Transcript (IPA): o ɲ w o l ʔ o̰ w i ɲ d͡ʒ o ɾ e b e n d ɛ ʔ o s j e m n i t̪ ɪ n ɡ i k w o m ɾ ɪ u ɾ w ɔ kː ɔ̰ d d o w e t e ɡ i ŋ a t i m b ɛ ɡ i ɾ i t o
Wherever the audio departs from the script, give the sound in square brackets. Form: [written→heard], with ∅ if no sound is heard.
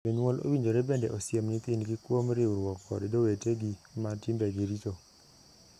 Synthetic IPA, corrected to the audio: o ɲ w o l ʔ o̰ w i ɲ d͡ʒ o ɾ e b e n d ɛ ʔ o s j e m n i t̪ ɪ n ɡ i k w o m ɾ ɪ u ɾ w ɔ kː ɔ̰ d d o w e t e ɡ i [ŋ→m] a t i m b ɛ ɡ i ɾ i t o